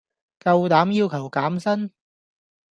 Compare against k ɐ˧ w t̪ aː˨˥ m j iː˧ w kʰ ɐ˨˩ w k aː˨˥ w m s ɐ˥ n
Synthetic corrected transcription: k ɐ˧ w t̪ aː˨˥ m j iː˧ w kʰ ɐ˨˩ w k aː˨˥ m s ɐ˥ n